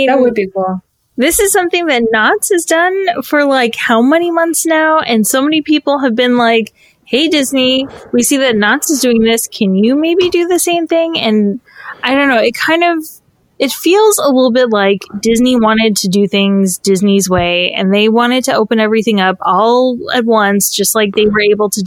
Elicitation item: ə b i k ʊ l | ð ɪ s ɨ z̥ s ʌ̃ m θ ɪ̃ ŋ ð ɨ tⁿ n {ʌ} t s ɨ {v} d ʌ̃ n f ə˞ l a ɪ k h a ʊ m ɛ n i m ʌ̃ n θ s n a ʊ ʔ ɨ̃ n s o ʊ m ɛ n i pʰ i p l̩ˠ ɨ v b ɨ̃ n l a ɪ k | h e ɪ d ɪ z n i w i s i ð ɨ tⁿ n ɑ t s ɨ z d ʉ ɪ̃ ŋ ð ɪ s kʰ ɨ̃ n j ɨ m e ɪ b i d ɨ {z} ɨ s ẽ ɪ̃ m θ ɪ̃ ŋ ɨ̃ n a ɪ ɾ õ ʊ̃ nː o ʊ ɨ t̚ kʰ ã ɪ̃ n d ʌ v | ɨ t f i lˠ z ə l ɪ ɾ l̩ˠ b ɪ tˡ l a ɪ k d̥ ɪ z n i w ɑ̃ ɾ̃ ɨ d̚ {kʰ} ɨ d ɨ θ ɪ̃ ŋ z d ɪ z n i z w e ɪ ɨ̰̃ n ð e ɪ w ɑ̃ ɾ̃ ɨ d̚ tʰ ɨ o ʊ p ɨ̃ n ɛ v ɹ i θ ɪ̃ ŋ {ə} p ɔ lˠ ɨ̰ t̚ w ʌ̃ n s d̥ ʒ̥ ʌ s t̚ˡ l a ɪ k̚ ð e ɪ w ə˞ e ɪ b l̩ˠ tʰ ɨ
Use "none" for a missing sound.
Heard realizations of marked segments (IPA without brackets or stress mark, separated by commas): ɑ, z, ð, tʰ, ʌ